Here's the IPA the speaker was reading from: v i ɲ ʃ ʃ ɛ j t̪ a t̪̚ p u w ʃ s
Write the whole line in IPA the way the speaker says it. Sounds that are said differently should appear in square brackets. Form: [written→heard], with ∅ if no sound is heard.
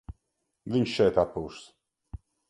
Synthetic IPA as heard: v i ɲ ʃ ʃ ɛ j t̪ a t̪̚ p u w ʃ s

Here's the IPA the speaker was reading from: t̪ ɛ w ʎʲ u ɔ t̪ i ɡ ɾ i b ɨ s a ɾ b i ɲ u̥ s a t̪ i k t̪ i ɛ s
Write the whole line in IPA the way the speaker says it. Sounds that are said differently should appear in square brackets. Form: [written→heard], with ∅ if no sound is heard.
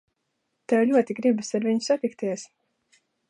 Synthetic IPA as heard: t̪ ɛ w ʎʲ u ɔ t̪ i ɡ ɾ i b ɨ s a ɾ [b→v] i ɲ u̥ s a t̪ i k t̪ i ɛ s

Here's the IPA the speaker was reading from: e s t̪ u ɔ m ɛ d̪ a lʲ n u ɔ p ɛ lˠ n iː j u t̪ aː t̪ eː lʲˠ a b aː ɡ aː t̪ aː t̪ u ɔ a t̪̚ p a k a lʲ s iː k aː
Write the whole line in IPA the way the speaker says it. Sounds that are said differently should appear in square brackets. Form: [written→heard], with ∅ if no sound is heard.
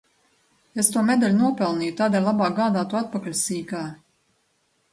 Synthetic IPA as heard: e s t̪ u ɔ m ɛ d̪ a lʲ n u ɔ p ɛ lˠ n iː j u t̪ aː [t̪→d̪] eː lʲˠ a b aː ɡ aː [t̪→d̪] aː t̪ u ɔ a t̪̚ p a k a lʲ s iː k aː

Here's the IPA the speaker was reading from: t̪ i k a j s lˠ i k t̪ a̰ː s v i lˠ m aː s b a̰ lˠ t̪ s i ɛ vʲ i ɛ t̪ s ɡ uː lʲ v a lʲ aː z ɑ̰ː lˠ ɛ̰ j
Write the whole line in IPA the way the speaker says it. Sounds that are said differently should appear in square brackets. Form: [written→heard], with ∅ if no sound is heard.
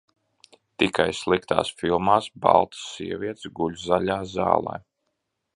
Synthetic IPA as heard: t̪ i k a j s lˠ i k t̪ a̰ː s [v→f] i lˠ m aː s b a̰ lˠ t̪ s i ɛ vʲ i ɛ t̪ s ɡ [uː→u] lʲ [v→z] a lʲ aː z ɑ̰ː lˠ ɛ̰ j

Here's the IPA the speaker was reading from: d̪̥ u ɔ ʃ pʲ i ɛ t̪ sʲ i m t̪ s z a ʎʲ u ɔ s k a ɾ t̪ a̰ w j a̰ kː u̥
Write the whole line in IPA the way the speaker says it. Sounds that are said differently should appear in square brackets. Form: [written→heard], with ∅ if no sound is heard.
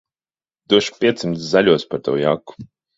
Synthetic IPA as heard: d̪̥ u ɔ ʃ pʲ i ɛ t̪ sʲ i m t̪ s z a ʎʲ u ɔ s [k→p] a ɾ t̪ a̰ w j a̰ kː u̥

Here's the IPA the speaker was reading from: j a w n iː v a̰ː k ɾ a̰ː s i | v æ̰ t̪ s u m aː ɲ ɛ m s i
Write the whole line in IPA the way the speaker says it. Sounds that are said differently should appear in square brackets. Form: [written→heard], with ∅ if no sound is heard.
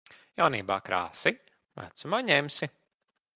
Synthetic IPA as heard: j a w n iː [v→b] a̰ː k ɾ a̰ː s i | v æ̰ t̪ s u m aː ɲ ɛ m s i

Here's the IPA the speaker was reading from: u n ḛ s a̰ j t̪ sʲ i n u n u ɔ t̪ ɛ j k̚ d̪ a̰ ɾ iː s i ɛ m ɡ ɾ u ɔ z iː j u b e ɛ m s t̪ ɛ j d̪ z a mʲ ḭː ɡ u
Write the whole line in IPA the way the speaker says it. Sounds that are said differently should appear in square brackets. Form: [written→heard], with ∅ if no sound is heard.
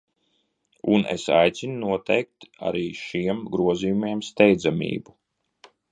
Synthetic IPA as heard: u n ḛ s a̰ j t̪ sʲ i n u n u ɔ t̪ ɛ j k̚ [d̪→t̪] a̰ ɾ iː [s→ʃ] i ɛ m ɡ ɾ u ɔ z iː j u [b→m] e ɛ m s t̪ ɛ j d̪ z a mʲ ḭː [ɡ→b] u

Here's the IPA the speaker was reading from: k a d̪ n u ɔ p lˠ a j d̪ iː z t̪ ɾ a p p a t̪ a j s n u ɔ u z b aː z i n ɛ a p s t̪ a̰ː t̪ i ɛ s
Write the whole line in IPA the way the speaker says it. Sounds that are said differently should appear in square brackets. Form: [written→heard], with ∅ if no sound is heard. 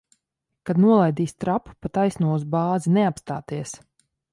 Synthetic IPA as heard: k a d̪ n u ɔ [p→∅] lˠ a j d̪ iː [z→s] t̪ ɾ a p p a t̪ a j s n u ɔ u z b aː z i n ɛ a p s t̪ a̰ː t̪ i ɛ s

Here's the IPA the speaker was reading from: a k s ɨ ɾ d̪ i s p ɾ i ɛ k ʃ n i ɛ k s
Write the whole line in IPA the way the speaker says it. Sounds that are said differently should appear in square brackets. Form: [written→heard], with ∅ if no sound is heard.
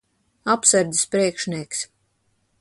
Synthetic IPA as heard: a [k→p] s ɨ ɾ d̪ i s p ɾ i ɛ k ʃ n i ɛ k s

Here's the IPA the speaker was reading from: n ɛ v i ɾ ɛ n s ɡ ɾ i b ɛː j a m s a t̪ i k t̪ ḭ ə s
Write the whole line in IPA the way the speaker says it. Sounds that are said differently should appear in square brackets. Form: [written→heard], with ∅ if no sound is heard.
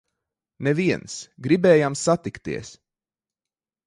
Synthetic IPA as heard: n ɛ v i [ɾ→∅] ɛ n s ɡ ɾ i b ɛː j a m s a t̪ i k t̪ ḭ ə s

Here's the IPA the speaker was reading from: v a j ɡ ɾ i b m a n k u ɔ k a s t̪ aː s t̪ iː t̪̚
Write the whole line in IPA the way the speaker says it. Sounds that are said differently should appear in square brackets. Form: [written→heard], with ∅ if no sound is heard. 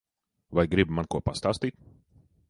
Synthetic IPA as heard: v a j ɡ ɾ i b m a n k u ɔ [k→p] a s t̪ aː s t̪ iː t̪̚

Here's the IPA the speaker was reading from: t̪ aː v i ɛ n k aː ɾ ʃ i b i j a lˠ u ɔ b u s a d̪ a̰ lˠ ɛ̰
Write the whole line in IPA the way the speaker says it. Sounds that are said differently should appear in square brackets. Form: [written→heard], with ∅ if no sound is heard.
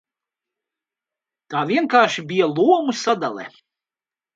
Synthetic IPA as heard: t̪ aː v i ɛ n k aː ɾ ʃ i b i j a lˠ u ɔ [b→m] u s a d̪ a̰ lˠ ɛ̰

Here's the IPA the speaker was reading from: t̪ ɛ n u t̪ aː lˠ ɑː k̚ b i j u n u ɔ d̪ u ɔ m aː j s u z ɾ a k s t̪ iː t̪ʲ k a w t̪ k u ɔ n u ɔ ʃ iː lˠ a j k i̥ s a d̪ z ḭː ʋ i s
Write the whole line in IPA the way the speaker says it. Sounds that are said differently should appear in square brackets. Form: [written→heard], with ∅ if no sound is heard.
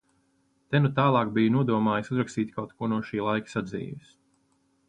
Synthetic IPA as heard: t̪ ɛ n u t̪ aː lˠ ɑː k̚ b i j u n u ɔ d̪ u ɔ m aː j s u z ɾ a k s t̪ iː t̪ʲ k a w t̪ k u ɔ n u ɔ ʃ iː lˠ a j k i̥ s a d̪ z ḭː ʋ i s

